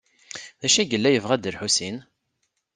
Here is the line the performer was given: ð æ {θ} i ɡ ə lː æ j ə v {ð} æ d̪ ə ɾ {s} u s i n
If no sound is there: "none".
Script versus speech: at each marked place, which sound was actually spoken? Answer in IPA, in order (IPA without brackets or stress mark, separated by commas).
ʃ, ʁ, ħ